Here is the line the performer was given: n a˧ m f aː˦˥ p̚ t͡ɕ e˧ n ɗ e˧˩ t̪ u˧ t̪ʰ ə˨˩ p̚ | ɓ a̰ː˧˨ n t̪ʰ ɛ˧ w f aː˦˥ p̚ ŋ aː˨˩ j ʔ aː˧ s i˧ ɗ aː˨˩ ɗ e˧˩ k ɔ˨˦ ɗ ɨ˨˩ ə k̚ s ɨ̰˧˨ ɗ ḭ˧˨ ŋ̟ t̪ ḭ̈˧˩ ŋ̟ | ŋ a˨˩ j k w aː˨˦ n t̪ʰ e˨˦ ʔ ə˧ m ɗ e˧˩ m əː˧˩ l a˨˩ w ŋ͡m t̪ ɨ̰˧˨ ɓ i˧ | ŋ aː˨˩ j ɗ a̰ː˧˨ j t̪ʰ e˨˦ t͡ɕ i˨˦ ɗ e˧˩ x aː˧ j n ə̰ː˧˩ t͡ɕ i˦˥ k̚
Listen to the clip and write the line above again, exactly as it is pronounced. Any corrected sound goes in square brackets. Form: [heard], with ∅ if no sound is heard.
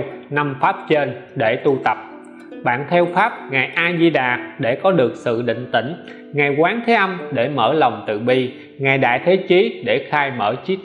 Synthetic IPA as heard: n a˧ m f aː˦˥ p̚ t͡ɕ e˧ n ɗ e˧˩ t̪ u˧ [t̪] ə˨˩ p̚ | ɓ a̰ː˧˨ n t̪ʰ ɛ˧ w f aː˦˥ p̚ ŋ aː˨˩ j ʔ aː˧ [z] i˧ ɗ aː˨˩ ɗ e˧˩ k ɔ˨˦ ɗ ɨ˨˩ ə k̚ s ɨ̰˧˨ ɗ ḭ˧˨ ŋ̟ t̪ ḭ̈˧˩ ŋ̟ | ŋ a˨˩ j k w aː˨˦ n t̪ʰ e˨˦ ʔ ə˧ m ɗ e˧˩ m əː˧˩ l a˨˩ w ŋ͡m t̪ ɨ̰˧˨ ɓ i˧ | ŋ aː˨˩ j ɗ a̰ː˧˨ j t̪ʰ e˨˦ t͡ɕ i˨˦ ɗ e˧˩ x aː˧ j [m] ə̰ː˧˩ t͡ɕ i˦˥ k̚